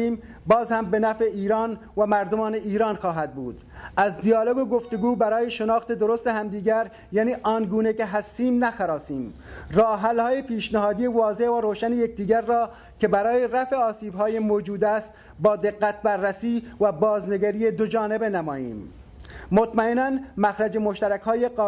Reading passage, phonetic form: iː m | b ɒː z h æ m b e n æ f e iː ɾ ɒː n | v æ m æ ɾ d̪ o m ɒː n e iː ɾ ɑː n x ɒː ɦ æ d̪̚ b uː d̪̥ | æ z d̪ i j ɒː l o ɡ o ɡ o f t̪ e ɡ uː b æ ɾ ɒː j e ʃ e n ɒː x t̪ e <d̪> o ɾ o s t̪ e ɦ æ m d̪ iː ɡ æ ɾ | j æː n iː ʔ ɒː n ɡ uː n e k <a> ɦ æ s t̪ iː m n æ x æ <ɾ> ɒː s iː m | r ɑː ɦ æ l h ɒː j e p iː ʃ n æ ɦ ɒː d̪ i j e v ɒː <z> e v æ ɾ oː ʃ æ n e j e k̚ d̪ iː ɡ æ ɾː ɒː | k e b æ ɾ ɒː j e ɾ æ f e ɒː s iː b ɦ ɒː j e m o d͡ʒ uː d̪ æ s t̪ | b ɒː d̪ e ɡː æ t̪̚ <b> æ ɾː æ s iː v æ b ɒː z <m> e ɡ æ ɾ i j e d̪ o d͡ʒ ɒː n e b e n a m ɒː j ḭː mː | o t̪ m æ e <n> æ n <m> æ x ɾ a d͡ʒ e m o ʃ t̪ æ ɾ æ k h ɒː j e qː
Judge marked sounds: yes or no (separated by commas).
yes, no, yes, yes, yes, no, yes, yes